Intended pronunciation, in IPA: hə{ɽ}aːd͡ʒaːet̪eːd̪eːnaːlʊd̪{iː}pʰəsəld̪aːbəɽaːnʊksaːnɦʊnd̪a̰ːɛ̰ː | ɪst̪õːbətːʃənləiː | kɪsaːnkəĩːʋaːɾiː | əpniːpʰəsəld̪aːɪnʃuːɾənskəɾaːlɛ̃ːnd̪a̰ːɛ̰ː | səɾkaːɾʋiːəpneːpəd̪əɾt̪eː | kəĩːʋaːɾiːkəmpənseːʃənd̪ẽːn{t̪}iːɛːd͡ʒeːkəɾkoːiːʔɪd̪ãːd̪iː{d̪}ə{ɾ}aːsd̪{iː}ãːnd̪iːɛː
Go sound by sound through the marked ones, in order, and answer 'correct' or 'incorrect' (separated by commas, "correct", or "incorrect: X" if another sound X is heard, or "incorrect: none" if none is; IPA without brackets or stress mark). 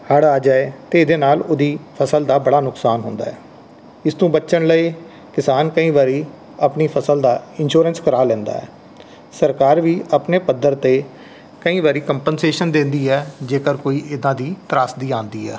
correct, correct, incorrect: d̪, incorrect: t̪, correct, correct